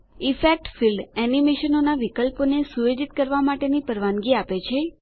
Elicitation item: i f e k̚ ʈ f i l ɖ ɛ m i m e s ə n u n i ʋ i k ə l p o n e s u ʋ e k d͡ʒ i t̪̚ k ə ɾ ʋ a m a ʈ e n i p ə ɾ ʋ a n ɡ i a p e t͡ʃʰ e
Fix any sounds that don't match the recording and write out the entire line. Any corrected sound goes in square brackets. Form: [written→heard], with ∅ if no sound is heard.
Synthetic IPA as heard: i f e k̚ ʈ f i l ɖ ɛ [m→n] i m e [s→ʃ] ə n [u→o] n [i→a] ʋ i k ə l p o n e s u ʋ e [k→∅] d͡ʒ i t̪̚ k ə ɾ ʋ a m a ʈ e n i p ə ɾ ʋ a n ɡ i a p e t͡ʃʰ e

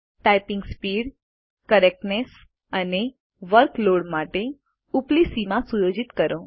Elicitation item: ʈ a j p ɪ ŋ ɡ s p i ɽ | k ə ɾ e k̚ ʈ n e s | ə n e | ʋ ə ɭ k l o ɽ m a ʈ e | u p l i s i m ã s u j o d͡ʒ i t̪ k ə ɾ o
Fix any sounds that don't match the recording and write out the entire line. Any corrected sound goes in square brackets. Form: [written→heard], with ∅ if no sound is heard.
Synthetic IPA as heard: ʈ a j p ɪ ŋ ɡ s p i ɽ | k ə ɾ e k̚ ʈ n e s | ə n e | ʋ ə [ɭ→ɾ] k l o ɽ m a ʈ e | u p l i s i m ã s u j o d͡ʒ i t̪ k ə ɾ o

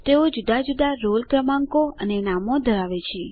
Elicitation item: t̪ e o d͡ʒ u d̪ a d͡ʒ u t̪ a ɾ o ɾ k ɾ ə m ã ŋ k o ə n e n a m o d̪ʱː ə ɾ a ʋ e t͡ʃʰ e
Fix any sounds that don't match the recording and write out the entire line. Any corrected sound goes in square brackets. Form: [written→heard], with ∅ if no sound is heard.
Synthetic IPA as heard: t̪ e o d͡ʒ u d̪ a d͡ʒ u [t̪→d̪] a ɾ o [ɾ→l] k ɾ ə m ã ŋ k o ə n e n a m o [d̪ʱː→d̪ʱ] ə ɾ a ʋ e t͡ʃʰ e

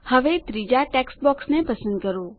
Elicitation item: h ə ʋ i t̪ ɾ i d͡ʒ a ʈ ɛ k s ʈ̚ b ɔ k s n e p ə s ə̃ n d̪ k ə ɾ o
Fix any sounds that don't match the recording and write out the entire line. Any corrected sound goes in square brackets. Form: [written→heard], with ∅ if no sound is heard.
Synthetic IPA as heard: h ə ʋ [i→e] t̪ ɾ i d͡ʒ a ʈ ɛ k s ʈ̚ b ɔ k s n e p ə s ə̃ n d̪ k ə ɾ o

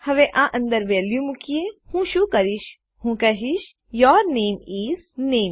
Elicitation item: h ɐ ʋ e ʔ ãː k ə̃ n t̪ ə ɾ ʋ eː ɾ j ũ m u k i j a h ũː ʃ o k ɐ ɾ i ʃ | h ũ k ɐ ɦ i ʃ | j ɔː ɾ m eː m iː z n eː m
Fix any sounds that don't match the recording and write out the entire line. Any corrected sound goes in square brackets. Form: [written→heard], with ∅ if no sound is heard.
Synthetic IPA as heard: h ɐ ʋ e ʔ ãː [k→ʔ] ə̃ n [t̪→d̪] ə ɾ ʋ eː [ɾ→l] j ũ m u k i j [a→e] h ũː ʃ [o→u] k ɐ ɾ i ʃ | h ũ k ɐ ɦ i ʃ | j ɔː ɾ [m→n] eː m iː z n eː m

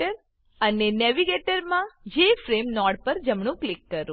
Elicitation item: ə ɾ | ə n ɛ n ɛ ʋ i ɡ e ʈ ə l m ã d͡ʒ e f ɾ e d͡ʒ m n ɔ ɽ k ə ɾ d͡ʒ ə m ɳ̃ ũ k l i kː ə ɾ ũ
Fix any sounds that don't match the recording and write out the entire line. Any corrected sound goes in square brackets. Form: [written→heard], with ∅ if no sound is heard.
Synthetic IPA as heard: ə ɾ | ə n [ɛ→e] n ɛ ʋ i ɡ e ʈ ə [l→ɾ] m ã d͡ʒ e f ɾ e [d͡ʒ→∅] m n ɔ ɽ [k→p] ə ɾ d͡ʒ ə m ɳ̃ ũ k l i kː ə ɾ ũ

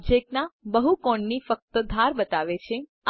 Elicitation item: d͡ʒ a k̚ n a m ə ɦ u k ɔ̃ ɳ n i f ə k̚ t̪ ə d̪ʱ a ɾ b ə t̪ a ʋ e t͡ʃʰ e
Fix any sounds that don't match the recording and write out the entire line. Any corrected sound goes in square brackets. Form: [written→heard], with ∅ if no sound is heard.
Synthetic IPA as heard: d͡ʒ [a→e] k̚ n a [m→b] ə ɦ u k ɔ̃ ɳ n i f ə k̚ t̪ ə d̪ʱ a ɾ b ə t̪ a ʋ e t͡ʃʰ e

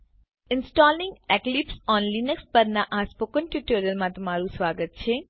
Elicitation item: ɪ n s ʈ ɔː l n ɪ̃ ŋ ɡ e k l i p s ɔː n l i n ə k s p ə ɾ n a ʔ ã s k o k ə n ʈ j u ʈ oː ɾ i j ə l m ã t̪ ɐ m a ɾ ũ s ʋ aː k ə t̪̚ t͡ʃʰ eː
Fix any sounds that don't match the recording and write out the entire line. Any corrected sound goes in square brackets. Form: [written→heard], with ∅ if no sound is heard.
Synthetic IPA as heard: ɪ n s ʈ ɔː l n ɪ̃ ŋ ɡ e k l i p s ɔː n l i n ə k s p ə ɾ n a ʔ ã s [k→p] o k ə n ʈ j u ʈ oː ɾ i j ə l m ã t̪ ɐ m a ɾ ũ s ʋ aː [k→ɡ] ə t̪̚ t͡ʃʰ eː

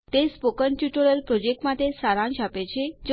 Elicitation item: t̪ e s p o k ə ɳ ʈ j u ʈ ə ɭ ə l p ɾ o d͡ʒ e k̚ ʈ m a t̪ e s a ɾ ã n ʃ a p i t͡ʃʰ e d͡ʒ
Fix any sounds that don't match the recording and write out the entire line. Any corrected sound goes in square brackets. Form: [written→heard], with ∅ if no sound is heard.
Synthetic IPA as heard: t̪ e s p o k ə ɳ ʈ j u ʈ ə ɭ ə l p ɾ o d͡ʒ e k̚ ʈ m a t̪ e s a ɾ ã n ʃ a p [i→e] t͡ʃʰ e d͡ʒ

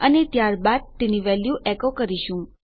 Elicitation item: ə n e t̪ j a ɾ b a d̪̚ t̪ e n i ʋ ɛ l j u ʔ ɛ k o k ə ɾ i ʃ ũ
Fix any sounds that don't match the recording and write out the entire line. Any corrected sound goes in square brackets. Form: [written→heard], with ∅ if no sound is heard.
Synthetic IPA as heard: ə n e t̪ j a ɾ b a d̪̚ t̪ e n i ʋ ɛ l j u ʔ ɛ k o k ə ɾ i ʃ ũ

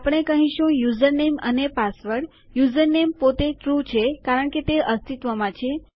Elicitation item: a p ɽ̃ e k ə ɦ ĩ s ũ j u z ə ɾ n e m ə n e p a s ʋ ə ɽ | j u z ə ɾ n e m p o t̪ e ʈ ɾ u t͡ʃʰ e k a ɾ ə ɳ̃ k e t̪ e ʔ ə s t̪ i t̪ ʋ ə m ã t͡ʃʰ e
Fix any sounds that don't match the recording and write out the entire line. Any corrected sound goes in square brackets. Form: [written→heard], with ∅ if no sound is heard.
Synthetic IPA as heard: a p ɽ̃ e k ə ɦ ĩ [s→ʃ] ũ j u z ə ɾ n e m ə n e p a s ʋ ə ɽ | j u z ə ɾ n e m p o t̪ e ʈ ɾ u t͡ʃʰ e k a ɾ ə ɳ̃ k e t̪ e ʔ ə s t̪ i t̪ ʋ ə m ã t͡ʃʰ e

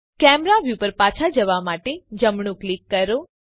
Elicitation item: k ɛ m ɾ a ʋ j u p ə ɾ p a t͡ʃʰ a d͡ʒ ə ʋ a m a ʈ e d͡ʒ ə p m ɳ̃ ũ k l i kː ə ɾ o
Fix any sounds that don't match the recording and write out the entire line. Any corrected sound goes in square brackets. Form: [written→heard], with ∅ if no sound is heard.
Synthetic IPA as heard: k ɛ m ɾ a ʋ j u p ə ɾ p a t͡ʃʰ a d͡ʒ ə ʋ a m a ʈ e d͡ʒ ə [p→∅] m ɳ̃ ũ k l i kː ə ɾ o

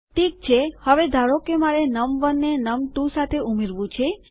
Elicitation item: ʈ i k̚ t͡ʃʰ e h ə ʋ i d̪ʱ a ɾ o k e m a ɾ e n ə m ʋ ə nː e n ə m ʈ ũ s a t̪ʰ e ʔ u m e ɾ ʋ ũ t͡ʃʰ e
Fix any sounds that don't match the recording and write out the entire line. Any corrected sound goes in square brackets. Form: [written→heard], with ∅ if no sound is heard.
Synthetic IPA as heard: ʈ i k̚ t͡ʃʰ e h ə ʋ [i→e] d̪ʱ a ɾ o k e m a ɾ e n ə m ʋ ə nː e n ə m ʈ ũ s a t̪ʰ e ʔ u m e ɾ ʋ ũ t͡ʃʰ e

